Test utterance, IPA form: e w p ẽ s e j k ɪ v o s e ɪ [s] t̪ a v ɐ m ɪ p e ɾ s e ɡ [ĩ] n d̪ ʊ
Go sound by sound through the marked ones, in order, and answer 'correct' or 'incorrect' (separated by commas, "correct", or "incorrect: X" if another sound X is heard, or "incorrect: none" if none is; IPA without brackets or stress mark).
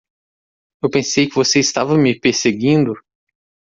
correct, correct